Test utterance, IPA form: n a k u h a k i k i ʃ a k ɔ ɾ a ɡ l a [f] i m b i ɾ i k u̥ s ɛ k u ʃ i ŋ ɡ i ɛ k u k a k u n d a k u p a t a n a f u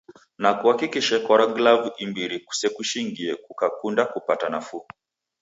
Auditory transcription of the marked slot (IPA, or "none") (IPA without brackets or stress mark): v